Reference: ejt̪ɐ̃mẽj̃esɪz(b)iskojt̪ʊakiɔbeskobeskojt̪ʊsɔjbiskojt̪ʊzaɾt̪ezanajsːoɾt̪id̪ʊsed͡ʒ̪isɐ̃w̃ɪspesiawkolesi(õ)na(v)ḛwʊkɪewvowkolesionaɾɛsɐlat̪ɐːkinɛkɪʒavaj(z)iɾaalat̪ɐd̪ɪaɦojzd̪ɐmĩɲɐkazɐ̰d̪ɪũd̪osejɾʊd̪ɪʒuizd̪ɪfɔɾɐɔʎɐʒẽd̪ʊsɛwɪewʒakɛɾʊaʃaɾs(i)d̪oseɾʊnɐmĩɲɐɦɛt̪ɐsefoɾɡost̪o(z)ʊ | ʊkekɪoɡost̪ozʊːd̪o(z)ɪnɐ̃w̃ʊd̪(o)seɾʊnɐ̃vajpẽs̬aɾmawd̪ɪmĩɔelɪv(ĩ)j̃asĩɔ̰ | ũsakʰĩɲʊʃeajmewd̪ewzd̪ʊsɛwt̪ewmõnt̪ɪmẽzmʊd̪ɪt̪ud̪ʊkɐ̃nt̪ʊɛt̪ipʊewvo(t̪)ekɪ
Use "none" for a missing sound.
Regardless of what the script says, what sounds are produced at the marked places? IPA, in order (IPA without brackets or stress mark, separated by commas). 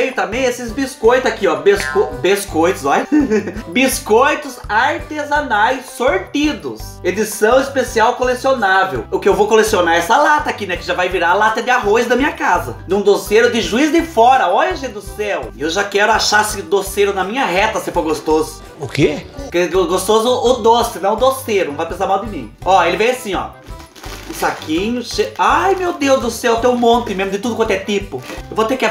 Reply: b, o, v, v, ɪ, z, s, o, ẽ, t̪